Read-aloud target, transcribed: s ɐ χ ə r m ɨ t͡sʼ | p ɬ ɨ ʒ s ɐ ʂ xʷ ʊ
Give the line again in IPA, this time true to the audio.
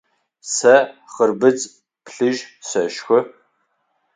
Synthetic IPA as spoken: s ɐ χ ə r b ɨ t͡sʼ | p ɬ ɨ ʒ s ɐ ʃ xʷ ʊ